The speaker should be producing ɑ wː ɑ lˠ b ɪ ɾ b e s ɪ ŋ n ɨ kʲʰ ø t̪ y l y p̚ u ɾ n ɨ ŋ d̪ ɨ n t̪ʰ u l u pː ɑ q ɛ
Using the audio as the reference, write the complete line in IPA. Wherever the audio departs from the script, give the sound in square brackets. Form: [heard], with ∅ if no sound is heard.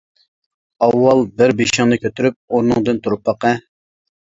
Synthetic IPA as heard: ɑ wː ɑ lˠ b ɪ ɾ b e [ʃ] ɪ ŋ n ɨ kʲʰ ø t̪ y [ɾ] y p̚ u ɾ n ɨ ŋ d̪ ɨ n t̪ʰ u [ɾ] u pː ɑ q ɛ